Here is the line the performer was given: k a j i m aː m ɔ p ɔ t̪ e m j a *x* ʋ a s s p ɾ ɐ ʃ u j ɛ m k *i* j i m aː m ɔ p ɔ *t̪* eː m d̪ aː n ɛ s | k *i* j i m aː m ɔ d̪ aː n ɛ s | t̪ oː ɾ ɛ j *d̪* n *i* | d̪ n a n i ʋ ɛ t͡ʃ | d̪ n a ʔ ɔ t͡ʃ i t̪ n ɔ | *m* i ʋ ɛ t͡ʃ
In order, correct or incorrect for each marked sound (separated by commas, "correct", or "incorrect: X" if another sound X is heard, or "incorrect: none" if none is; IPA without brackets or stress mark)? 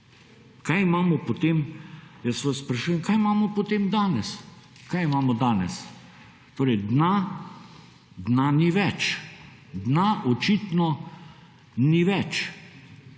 incorrect: s, incorrect: a, correct, incorrect: a, correct, incorrect: a, incorrect: n